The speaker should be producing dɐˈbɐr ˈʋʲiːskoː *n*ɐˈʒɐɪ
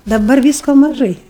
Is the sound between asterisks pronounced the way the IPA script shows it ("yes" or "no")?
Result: no